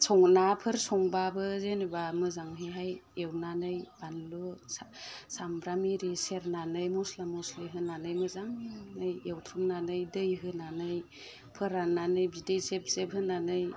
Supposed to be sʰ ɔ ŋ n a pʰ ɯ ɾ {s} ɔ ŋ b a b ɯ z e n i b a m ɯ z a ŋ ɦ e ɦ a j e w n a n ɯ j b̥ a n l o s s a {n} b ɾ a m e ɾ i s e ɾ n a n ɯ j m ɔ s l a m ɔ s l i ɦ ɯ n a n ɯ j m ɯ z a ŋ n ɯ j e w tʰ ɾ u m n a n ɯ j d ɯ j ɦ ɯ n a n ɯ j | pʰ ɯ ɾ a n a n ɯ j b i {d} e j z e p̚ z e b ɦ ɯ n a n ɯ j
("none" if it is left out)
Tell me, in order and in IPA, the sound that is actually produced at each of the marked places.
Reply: s, m, d

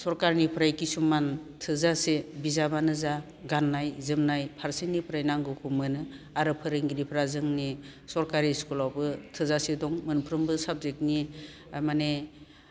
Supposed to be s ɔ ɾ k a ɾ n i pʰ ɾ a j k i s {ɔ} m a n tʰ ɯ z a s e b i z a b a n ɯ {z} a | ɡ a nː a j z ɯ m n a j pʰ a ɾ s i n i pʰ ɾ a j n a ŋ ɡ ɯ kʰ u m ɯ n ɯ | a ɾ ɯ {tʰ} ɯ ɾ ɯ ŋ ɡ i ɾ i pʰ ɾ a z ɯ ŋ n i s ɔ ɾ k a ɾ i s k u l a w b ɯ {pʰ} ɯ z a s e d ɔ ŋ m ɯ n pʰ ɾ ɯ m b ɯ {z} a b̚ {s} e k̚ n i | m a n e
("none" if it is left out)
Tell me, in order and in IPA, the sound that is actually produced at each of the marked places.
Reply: u, z, pʰ, tʰ, s, z

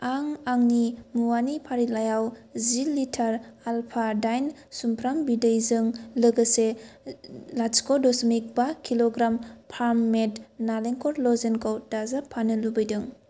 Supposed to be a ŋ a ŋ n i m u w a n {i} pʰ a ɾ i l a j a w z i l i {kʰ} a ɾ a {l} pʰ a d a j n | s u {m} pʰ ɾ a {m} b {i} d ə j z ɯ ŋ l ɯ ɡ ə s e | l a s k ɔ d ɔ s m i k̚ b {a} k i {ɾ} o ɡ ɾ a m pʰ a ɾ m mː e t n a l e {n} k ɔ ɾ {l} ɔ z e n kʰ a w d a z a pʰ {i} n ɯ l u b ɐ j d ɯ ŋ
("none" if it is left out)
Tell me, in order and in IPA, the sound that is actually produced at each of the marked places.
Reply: i, tʰ, l, m, m, i, a, l, ŋ, l, a

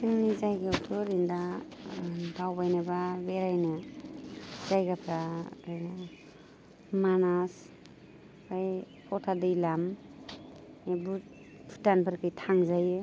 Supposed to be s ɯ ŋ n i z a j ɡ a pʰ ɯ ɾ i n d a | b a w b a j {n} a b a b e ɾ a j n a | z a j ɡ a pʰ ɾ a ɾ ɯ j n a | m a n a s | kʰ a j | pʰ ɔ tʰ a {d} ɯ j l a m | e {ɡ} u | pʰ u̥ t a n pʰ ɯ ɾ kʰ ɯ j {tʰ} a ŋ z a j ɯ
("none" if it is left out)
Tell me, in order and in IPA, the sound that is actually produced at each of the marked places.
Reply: n, d, b, tʰ

